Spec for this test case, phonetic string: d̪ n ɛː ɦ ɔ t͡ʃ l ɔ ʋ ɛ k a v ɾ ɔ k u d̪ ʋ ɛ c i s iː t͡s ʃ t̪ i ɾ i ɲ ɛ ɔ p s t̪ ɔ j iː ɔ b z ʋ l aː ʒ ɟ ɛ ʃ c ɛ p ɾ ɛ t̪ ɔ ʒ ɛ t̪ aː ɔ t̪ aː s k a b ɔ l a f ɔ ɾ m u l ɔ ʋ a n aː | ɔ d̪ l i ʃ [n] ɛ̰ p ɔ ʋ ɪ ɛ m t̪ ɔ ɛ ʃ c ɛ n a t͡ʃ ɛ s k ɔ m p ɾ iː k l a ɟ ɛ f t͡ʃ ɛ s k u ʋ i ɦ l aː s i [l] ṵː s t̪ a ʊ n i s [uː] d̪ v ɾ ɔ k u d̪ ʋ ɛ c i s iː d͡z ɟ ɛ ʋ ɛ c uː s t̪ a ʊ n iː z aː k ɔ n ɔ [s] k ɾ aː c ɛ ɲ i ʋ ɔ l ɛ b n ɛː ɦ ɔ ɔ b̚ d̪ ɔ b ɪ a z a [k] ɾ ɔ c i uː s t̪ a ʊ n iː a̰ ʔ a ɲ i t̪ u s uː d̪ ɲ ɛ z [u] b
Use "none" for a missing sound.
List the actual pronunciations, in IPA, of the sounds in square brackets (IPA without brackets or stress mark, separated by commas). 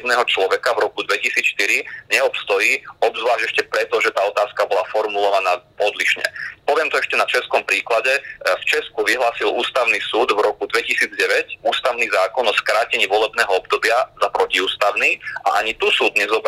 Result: ɲ, l, uː, s, p, ɔ